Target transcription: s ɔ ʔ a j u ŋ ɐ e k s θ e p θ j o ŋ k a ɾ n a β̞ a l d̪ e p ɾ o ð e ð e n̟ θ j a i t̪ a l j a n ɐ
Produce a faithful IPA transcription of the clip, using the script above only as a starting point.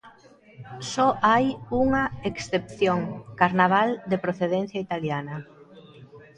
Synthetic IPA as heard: s ɔ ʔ a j u ŋ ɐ e k s θ e p θ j o ŋ k a ɾ n a β̞ a l d̪ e p ɾ o θ e ð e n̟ θ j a i t̪ a l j a n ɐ

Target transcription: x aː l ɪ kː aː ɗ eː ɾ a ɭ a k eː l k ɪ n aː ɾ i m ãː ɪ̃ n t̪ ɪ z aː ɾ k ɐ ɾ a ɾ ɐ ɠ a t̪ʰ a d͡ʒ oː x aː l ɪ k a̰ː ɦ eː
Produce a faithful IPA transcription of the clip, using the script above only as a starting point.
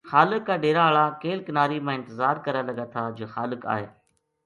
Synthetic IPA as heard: x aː l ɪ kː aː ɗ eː ɾ a ɭ a k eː l k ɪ n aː ɾ i m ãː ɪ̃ n t̪ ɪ z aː ɾ k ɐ ɾ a l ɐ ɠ a t̪ʰ a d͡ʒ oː x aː l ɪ k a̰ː ɦ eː

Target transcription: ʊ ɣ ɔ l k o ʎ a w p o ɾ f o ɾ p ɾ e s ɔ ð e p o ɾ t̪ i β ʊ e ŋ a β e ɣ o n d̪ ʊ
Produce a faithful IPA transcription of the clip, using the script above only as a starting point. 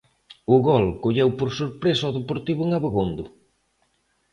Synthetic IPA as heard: ʊ ɣ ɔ l k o ʎ e w p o ɾ s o ɾ p ɾ e s ɔ ð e p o ɾ t̪ i β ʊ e ŋ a β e ɣ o n d̪ ʊ

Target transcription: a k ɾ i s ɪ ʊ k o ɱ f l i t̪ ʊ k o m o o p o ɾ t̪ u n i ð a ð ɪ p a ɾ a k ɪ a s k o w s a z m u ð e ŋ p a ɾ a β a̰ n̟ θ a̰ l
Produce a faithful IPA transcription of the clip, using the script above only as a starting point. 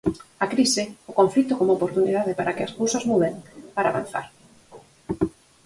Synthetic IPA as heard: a k ɾ i s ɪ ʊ k o ɱ f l i t̪ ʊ k o m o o p o ɾ t̪ u n i ð a ð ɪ p a ɾ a k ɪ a s k o w s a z m u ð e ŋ p a ɾ a β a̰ n̟ θ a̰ ɾ

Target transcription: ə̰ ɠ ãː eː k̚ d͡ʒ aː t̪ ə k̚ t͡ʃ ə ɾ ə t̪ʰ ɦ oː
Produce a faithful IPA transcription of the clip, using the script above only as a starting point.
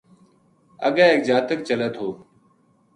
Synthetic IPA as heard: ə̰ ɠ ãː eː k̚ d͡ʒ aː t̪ ə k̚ t͡ʃ ə l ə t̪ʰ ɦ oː

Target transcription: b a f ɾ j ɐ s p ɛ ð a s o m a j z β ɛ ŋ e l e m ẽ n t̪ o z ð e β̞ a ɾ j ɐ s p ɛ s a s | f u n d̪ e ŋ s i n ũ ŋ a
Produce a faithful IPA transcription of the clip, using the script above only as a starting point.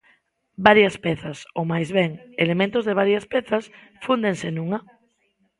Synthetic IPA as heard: b a ɾ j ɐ s p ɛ θ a s o m a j z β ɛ ŋ e l e m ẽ n t̪ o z ð e β̞ a ɾ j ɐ s p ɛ θ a s | f u n d̪ e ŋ s e n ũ ŋ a

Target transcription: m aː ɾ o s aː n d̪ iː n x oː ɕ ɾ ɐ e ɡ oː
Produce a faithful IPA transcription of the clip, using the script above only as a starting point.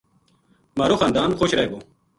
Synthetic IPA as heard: m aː ɾ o x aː n d̪ aː n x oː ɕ ɾ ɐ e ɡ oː

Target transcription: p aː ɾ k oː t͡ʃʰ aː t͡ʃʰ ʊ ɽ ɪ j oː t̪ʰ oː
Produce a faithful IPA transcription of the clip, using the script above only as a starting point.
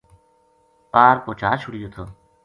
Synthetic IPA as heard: p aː ɾ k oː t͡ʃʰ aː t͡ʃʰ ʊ ɽ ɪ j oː t̪ʰ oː

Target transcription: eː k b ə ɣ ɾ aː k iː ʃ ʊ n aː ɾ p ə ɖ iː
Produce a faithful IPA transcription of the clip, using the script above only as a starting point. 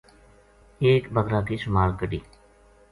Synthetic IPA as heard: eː k b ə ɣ ɾ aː k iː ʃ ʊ m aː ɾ k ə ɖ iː

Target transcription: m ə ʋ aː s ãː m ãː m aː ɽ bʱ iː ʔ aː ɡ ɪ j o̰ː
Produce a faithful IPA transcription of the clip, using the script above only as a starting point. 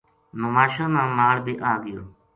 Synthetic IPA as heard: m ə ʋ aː ʃ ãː m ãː m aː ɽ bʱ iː ʔ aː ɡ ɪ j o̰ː

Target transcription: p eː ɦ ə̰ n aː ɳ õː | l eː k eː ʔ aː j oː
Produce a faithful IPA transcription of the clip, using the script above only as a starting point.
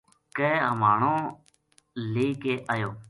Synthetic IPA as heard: k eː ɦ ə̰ m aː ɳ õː | l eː k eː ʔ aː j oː

